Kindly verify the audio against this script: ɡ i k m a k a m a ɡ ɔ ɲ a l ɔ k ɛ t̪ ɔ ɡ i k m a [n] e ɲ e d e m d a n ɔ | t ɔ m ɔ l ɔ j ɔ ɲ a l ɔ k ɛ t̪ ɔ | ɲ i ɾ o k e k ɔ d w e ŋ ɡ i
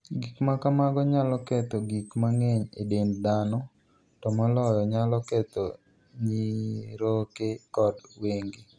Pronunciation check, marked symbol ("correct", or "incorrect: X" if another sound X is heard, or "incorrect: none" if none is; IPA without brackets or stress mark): incorrect: ŋ